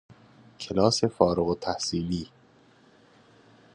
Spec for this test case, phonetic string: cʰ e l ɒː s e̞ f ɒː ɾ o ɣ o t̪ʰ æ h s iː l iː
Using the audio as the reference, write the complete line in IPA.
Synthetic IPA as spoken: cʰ e l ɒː s e̞ f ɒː ɾ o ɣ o t̪ʰ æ h s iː l iː